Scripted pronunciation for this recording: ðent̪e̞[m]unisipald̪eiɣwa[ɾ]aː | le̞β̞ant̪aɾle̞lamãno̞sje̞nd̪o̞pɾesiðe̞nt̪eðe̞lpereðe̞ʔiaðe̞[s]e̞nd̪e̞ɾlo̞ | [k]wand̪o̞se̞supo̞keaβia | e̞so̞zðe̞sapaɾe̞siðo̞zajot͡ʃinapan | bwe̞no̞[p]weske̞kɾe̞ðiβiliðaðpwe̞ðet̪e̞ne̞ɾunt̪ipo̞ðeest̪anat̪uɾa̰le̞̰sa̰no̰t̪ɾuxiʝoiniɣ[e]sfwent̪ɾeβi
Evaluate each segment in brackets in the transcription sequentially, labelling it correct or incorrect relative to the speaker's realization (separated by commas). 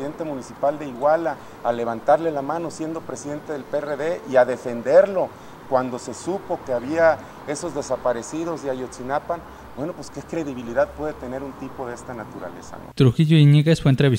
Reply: correct, incorrect, incorrect, correct, correct, correct